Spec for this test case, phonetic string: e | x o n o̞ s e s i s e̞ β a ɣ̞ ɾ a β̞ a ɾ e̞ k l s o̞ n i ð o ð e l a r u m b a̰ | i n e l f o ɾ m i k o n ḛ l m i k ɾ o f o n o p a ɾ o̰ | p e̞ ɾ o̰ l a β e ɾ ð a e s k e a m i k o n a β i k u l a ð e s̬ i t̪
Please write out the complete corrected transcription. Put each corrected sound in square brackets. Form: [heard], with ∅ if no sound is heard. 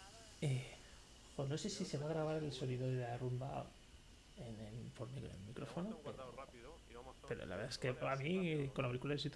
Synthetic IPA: e | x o n o̞ s e s i s e̞ β a ɣ̞ ɾ a β̞ a ɾ e̞ [∅] l s o̞ n i ð o ð e l a r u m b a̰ | [e] n e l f o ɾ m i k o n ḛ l m i k ɾ o f o n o p [e] ɾ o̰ | p e̞ ɾ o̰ l a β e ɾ ð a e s k e a m i k o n a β i k u l a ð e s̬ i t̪